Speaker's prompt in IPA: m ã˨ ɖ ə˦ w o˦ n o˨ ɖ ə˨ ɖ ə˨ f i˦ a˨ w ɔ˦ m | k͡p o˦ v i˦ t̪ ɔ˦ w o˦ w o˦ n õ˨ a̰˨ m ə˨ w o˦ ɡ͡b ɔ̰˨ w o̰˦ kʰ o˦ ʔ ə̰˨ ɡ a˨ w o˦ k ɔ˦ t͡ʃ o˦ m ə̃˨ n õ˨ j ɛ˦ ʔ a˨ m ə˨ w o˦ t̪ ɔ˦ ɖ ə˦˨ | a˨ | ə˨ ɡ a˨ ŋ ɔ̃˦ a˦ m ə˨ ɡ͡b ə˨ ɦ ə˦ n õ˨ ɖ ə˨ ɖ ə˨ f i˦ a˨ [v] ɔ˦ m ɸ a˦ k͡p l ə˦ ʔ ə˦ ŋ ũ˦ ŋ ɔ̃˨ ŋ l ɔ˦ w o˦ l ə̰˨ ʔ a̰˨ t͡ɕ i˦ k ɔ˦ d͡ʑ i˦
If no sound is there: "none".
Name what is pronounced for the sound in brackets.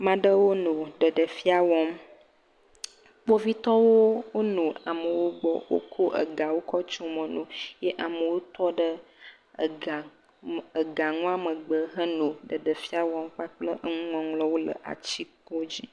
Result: w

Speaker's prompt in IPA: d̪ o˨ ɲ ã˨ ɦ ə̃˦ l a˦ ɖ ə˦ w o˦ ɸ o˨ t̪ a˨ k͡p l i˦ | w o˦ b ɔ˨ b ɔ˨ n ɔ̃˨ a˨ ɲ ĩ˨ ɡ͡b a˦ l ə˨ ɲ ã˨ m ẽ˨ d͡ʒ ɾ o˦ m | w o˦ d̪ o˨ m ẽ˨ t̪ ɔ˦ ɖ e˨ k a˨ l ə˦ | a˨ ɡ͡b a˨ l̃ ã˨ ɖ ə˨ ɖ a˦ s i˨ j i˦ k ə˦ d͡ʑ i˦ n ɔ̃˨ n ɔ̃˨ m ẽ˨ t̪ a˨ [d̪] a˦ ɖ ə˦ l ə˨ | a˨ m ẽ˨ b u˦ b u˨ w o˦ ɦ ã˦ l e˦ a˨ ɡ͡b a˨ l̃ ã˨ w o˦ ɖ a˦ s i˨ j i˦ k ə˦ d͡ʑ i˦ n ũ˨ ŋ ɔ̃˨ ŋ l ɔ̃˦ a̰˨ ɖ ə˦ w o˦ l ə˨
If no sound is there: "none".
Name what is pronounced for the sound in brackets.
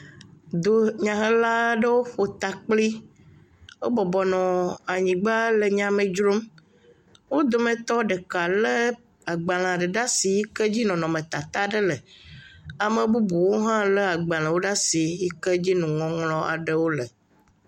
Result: t̪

